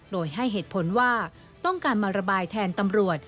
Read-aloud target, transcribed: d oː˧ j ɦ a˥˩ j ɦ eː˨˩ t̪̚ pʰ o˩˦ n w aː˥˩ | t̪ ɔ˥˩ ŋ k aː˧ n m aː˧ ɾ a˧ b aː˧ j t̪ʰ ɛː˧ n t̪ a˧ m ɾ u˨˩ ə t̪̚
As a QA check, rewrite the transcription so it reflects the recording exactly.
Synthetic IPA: d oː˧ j ɦ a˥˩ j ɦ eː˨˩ t̪̚ pʰ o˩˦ n w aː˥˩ | t̪ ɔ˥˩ ŋ k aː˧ n m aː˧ ɾ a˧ b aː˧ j t̪ʰ ɛː˧ n t̪ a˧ m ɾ u˨˩ ə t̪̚